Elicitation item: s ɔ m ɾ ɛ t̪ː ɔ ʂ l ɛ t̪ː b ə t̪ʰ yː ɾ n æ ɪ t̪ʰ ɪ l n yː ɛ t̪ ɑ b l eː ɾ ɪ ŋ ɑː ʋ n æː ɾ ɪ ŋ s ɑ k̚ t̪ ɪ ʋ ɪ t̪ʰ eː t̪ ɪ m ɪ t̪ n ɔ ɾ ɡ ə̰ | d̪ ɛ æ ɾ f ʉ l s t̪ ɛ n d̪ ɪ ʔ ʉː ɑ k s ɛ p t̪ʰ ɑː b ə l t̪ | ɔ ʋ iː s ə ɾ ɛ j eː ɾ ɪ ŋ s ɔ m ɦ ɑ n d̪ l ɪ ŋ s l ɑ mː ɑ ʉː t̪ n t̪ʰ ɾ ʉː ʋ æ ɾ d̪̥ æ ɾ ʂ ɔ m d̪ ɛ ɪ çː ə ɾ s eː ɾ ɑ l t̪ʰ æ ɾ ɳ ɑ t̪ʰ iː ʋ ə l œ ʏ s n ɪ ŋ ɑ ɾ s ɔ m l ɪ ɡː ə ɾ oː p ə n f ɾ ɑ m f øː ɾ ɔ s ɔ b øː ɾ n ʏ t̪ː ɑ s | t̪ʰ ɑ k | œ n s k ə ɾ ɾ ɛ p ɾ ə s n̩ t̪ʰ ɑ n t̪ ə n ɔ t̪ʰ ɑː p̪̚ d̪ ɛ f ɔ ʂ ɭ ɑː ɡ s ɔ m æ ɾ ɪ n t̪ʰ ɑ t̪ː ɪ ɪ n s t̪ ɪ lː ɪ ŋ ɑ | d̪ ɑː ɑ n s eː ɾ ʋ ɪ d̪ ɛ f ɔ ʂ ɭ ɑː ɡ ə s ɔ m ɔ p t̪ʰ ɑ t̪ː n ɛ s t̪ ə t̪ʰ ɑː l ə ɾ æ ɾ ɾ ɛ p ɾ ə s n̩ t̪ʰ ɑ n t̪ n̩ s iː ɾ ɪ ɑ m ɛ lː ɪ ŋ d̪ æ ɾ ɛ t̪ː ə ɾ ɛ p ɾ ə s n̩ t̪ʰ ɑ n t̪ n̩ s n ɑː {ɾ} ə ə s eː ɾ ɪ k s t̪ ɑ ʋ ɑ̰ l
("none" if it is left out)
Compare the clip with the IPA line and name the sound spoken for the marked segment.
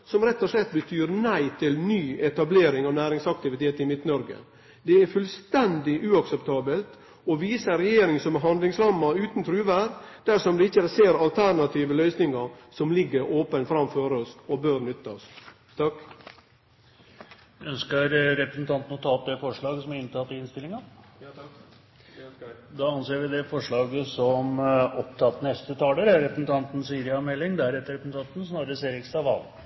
ɾ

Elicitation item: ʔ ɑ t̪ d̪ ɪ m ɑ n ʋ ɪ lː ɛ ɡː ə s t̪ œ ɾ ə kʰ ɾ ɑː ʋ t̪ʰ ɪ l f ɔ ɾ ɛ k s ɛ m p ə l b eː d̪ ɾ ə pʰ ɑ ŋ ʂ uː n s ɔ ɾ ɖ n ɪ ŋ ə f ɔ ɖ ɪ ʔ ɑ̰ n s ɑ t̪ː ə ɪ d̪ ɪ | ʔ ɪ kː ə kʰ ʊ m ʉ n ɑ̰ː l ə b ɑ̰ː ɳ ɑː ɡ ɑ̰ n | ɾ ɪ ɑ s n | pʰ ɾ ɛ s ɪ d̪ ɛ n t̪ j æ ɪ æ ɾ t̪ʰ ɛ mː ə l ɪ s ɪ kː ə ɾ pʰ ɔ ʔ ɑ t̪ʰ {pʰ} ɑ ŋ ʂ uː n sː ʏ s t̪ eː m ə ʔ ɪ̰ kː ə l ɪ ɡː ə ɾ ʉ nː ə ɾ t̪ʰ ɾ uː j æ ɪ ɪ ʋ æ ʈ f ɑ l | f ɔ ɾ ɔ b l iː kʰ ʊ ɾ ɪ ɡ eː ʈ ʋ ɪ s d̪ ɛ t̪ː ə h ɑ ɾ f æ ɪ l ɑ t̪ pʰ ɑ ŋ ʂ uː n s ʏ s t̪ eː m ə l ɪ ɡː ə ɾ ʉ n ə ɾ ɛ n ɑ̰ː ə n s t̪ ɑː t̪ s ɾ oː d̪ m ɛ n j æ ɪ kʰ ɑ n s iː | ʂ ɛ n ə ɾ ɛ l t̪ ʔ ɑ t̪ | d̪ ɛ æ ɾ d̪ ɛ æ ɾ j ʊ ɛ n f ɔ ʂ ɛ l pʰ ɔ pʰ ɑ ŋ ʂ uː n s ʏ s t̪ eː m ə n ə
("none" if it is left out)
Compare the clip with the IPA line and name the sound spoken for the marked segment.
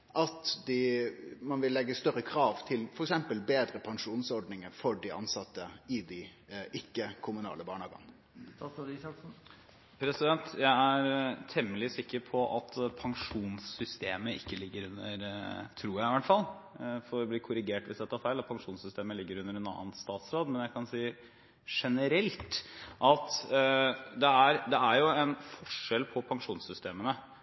pʰ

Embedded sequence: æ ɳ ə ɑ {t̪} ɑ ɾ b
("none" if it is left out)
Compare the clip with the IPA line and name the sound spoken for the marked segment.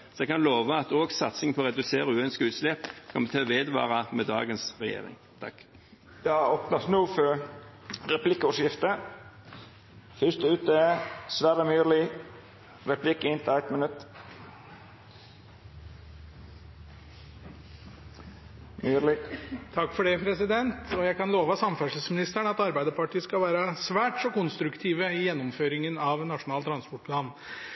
t̪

